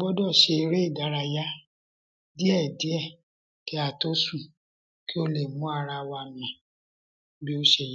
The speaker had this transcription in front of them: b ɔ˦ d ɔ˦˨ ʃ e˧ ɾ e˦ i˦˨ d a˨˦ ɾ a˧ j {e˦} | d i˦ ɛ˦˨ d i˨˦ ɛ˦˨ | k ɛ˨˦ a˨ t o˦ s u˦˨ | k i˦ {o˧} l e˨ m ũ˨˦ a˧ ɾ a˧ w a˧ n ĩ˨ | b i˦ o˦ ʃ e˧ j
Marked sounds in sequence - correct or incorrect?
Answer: incorrect: a˦, correct

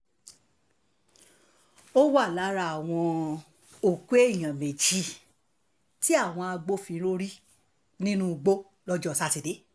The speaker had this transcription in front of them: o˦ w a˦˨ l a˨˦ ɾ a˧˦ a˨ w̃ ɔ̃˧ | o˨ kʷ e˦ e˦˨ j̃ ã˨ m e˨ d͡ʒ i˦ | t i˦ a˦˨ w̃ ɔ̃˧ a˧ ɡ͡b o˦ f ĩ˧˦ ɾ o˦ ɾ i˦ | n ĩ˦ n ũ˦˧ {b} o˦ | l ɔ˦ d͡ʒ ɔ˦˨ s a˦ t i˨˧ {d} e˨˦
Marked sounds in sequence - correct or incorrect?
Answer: incorrect: ɡ͡b, correct

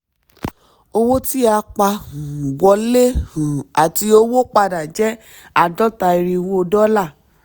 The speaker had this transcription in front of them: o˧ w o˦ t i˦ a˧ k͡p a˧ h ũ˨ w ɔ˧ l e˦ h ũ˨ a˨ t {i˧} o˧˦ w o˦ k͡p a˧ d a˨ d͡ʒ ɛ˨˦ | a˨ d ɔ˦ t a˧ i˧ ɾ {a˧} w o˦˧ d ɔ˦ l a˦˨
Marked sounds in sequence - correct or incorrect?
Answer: correct, incorrect: i˧

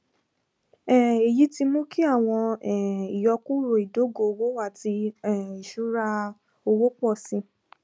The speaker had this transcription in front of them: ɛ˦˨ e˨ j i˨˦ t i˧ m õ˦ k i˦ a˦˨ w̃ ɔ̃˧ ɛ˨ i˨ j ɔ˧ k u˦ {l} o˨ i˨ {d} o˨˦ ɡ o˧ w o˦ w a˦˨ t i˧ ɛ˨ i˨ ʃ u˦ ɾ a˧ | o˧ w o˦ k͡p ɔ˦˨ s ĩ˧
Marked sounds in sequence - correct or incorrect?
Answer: incorrect: ɾ, correct

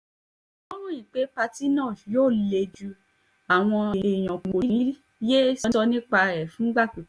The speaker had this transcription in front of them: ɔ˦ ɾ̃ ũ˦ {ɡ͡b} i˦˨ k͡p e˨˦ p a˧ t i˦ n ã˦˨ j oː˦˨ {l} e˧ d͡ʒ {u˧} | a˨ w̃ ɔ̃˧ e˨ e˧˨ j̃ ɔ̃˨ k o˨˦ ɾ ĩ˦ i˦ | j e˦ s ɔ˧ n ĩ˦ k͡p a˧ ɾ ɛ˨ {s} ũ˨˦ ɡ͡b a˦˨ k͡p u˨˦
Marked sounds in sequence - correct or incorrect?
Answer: incorrect: none, correct, correct, incorrect: f

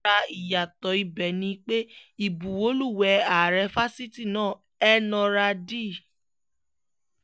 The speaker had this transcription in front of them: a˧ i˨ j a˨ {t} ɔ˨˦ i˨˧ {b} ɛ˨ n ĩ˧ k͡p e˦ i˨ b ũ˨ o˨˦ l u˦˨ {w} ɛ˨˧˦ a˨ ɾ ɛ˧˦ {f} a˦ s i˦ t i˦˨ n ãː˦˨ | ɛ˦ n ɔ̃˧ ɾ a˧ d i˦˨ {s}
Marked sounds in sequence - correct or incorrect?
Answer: correct, correct, correct, correct, incorrect: none

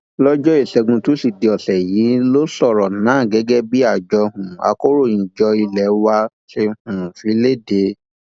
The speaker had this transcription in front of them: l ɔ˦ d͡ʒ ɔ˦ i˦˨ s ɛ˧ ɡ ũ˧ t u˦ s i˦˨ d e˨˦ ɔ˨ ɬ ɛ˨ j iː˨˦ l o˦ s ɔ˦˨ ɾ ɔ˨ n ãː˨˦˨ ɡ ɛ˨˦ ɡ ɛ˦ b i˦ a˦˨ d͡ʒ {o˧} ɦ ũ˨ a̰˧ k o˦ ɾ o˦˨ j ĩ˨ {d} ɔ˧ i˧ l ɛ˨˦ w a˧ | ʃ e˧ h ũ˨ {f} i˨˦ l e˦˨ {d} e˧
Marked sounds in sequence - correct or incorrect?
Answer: incorrect: ɔ˧, incorrect: d͡ʒ, correct, correct

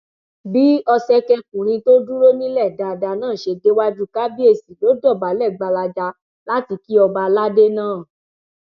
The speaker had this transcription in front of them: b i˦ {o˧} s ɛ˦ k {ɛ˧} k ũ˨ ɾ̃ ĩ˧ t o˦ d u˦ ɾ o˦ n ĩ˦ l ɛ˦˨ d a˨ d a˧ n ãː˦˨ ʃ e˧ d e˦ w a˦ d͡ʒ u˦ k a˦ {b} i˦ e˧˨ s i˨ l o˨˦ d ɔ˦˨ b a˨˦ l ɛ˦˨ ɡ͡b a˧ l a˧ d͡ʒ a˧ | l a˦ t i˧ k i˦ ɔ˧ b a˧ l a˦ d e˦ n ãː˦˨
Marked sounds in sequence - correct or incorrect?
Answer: incorrect: ɔ˧, correct, correct

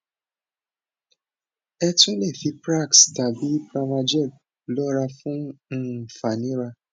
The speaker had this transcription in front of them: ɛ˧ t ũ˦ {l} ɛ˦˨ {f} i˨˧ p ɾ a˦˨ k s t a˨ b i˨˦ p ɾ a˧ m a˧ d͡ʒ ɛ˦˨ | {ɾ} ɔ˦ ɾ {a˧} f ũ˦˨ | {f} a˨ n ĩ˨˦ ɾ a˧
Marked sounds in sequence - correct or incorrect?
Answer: correct, correct, incorrect: l, correct, correct

